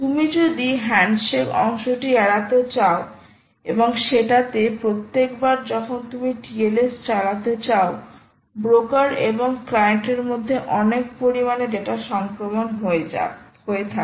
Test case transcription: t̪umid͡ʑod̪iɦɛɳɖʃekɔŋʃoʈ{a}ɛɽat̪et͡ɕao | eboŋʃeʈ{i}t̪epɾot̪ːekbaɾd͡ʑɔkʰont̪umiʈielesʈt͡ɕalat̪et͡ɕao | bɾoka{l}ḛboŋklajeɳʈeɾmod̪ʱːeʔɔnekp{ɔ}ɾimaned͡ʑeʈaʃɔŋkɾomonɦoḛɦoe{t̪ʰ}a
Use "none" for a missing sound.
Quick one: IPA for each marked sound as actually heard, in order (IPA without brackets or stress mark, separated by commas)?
i, a, ɾ, o, t̪ʰ